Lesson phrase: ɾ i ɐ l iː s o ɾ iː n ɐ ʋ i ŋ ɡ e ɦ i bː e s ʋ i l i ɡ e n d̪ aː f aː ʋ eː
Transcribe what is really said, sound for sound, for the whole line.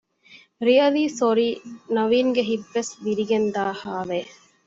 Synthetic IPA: ɾ i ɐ l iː s o ɾ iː n ɐ ʋ iː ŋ ɡ e ɦ i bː e s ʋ i ɾ i ɡ e n d̪ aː h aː ʋ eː